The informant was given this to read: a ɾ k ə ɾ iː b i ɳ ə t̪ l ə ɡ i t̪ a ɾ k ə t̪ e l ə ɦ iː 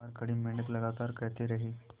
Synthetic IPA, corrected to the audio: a ɾ k ə ɽ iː m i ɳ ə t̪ l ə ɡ a t̪ a ɾ k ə t̪ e ɾ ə ɦ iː